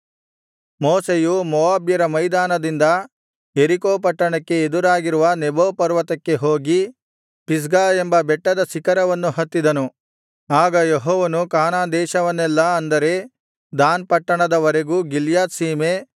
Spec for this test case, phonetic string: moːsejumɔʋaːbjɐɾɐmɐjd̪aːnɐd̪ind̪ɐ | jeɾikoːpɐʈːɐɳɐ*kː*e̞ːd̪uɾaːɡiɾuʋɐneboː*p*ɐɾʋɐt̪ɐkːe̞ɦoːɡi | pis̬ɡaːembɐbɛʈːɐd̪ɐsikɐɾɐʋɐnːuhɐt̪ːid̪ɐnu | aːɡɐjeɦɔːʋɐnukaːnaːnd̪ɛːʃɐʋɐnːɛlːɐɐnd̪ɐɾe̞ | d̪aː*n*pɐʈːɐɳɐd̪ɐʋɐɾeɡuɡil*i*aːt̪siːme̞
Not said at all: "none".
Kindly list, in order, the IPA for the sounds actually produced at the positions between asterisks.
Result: kː, p, n, j

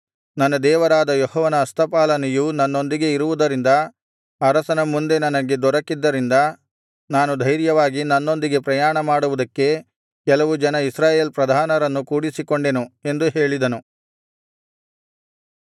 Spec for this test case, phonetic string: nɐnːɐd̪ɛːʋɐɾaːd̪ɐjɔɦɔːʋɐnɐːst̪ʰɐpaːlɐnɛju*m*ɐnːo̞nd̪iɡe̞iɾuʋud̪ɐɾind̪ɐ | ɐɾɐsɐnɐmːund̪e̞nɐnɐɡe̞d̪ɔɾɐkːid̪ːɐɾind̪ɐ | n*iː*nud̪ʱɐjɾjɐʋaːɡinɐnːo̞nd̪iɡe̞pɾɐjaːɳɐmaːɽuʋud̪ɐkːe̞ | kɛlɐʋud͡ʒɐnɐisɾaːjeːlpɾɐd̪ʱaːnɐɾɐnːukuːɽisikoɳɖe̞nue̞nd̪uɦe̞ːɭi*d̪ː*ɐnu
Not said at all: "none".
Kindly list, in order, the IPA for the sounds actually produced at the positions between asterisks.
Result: n, aː, d̪

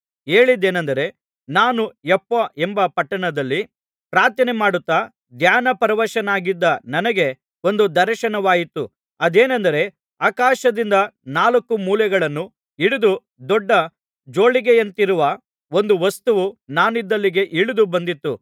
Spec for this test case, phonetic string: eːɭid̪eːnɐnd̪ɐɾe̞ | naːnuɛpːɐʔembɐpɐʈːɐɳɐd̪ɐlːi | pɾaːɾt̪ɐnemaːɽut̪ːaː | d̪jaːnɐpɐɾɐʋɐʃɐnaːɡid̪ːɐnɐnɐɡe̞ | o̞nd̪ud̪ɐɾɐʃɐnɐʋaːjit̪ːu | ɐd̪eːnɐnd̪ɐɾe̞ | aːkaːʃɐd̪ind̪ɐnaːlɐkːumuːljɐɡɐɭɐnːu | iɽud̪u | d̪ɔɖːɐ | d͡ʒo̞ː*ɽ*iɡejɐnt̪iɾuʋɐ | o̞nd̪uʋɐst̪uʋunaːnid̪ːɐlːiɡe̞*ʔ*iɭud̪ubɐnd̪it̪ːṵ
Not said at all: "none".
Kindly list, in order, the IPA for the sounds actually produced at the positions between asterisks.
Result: ɭ, ʔ

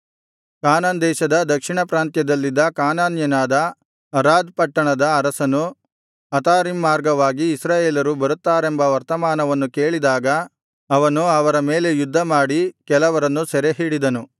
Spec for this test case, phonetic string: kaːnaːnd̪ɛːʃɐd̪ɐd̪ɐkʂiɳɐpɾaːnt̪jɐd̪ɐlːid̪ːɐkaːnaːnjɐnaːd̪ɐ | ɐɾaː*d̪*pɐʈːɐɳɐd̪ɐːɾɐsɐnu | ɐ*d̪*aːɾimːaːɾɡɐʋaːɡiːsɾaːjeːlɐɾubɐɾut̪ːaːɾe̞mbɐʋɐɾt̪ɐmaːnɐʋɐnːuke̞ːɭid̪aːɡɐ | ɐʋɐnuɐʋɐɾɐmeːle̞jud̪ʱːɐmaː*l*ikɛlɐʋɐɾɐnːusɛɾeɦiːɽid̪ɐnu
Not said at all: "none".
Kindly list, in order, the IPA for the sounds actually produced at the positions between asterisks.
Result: d̪, t̪, ɽ

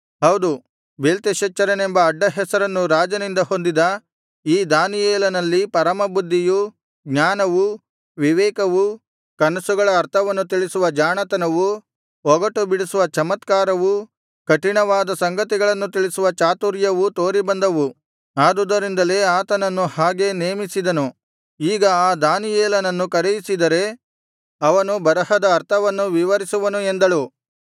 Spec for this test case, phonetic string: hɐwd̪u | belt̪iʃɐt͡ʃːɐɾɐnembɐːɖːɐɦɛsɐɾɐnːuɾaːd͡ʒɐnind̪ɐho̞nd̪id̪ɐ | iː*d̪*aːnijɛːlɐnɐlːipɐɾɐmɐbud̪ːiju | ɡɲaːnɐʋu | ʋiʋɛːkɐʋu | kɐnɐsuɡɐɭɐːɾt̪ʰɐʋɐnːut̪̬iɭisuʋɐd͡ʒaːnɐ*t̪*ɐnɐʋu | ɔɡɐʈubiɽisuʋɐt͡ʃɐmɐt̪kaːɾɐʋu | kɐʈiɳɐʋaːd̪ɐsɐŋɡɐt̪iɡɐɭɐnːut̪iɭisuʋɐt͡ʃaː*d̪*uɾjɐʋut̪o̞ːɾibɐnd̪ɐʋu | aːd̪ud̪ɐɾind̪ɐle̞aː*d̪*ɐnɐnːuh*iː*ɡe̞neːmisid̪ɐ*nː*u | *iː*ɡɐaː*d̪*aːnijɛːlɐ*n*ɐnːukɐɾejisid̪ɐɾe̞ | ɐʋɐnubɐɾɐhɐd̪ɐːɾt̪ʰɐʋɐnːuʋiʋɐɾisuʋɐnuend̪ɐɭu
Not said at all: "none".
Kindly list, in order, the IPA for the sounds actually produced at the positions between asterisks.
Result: d̪, t̪, t̪, t̪, aː, n, iː, d̪, n

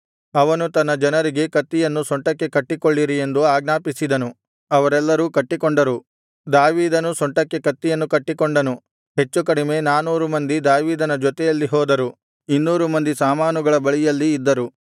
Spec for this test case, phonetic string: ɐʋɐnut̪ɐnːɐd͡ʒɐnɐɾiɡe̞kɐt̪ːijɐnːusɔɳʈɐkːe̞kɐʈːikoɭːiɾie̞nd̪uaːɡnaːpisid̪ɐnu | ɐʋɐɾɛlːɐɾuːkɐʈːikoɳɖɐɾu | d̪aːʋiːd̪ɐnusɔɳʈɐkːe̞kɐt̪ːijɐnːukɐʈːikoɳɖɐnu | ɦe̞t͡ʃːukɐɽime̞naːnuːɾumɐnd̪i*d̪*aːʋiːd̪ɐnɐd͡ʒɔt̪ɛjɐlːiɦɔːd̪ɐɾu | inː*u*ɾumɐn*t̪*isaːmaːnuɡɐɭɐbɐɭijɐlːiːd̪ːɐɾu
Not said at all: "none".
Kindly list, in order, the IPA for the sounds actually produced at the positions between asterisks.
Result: d̪, uː, d̪

